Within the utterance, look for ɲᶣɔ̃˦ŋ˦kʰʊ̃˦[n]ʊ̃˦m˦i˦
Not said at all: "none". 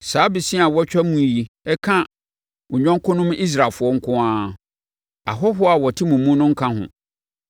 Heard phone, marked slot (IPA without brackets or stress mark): n